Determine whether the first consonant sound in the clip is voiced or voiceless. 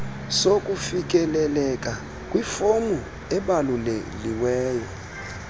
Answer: voiceless